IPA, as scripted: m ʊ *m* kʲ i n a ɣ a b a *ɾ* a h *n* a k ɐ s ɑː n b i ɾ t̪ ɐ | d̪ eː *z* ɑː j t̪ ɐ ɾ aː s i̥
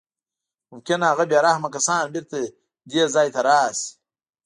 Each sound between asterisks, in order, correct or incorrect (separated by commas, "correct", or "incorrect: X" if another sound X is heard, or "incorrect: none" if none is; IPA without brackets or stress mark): correct, correct, incorrect: m, correct